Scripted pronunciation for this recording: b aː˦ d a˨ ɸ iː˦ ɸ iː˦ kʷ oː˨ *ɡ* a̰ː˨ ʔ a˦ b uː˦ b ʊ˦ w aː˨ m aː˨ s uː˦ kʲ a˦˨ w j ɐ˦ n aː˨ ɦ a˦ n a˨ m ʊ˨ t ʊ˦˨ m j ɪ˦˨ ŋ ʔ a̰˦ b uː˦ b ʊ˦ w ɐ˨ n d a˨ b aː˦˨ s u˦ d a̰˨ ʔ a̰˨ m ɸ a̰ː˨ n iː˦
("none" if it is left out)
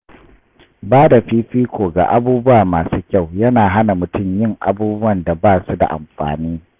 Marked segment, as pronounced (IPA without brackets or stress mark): ɡ